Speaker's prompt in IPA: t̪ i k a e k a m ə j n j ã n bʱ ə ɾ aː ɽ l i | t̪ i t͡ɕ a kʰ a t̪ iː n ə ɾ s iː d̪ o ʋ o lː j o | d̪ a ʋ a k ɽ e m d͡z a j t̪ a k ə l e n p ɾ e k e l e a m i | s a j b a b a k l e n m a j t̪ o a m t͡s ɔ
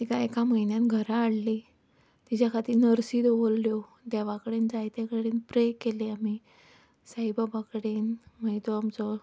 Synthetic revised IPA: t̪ i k a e k a m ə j n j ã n ɡʱ ə ɾ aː ɽ l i | t̪ i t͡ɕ a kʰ a t̪ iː n ə ɾ s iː d̪ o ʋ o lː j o | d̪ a ʋ a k ɽ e n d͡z a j t̪ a k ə ɽ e n p ɾ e k e l e a m i | s a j b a b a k ɽ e n m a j t̪ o a m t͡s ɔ

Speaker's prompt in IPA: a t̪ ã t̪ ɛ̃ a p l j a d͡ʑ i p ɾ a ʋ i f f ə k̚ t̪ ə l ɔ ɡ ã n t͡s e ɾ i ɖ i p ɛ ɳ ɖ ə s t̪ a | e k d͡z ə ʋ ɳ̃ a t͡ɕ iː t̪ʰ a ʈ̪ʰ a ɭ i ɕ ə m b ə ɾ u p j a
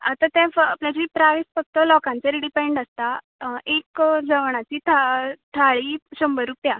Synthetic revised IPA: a t̪ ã t̪ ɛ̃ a p l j a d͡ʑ i p ɾ a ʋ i s f ə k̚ t̪ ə l ɔ k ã n t͡s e ɾ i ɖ i p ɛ ɳ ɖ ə s t̪ a | e k d͡z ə ʋ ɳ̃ a t͡ɕ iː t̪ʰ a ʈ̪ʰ a ɭ i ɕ ə m b ə ɾ u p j a

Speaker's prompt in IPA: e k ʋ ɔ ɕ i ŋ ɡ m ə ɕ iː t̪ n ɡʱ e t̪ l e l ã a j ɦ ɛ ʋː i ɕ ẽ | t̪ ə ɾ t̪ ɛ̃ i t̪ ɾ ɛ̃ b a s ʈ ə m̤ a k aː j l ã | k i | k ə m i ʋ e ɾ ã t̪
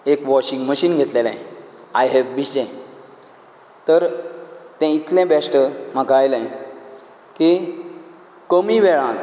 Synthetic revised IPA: e k ʋ ɔ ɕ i ŋ ɡ m ə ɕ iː n ɡʱ e t̪ l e l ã a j ɦ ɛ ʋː i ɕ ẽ | t̪ ə ɾ t̪ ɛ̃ i t̪ l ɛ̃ b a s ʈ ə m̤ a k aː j l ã | k i | k ə m i ʋ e ɭ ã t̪

